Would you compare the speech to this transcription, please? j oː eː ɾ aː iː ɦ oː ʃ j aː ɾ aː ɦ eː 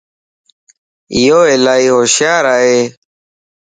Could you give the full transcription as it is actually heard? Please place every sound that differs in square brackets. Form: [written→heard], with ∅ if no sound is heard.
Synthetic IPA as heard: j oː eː [ɾ→l] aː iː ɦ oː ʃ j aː ɾ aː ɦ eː